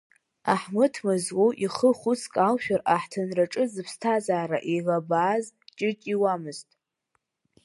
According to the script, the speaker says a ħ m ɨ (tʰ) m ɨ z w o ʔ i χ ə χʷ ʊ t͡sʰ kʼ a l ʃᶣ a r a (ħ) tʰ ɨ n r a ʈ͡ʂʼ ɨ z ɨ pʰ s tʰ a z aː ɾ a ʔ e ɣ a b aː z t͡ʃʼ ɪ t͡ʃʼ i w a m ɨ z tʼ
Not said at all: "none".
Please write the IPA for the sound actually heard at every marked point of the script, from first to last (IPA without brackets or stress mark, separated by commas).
tʰ, ħ